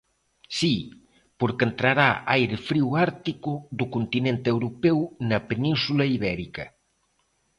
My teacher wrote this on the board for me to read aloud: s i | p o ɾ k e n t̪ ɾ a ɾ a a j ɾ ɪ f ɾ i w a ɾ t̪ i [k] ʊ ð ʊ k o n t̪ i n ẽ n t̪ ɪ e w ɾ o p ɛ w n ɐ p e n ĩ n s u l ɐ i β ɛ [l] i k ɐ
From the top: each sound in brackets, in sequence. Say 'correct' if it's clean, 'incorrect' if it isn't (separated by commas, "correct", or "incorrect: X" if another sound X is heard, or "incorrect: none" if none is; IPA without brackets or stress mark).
correct, incorrect: ɾ